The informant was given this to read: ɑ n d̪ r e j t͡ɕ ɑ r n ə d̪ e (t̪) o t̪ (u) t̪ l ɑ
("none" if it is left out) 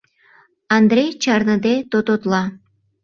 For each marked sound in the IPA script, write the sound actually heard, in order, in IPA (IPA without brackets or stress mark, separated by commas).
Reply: t̪, o